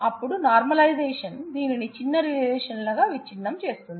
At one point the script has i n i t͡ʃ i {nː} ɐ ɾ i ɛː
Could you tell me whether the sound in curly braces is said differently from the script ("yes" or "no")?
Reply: no